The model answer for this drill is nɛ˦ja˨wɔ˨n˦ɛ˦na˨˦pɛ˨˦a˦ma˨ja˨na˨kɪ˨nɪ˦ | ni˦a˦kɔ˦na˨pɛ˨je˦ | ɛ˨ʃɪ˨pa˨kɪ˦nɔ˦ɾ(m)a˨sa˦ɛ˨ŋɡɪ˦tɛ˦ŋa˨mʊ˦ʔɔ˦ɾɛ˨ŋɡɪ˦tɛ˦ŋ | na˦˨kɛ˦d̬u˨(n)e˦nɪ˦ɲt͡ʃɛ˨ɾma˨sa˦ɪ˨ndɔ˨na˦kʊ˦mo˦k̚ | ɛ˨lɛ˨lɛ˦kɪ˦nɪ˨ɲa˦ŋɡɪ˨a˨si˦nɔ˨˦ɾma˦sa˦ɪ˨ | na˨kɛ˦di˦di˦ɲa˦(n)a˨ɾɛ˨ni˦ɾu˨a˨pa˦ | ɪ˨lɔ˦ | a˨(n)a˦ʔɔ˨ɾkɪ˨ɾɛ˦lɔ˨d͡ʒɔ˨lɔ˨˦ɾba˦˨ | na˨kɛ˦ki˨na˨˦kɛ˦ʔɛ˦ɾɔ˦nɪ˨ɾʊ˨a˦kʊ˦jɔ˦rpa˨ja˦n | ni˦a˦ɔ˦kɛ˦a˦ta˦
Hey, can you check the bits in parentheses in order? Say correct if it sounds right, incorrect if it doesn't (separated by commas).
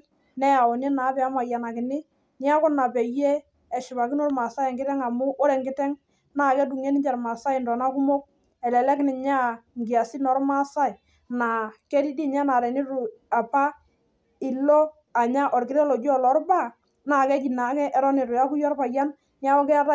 correct, incorrect, correct, incorrect